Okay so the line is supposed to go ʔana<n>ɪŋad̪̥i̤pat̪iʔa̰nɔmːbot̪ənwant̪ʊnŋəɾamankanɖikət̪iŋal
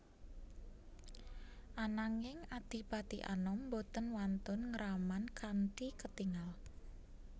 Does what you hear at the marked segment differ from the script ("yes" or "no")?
yes